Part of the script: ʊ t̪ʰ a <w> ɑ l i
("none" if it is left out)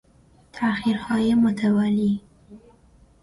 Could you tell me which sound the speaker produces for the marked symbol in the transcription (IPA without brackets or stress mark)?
w